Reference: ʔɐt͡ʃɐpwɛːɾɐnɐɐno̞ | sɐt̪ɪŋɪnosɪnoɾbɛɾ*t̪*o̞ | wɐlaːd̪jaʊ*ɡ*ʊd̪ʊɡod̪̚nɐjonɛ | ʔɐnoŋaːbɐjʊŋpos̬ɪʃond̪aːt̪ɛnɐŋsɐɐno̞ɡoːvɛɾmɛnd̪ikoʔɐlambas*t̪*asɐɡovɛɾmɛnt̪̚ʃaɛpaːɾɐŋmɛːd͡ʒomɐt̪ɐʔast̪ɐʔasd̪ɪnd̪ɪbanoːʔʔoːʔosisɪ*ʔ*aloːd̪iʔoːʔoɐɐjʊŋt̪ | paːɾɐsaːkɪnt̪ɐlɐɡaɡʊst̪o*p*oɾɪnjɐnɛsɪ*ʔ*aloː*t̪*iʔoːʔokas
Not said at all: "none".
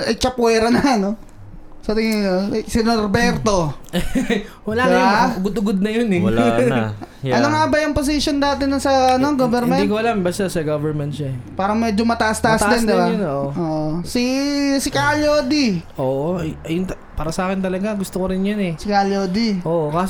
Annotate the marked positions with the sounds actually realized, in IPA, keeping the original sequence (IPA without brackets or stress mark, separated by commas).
t̪, ɡ, t̪, k, k, k, d̪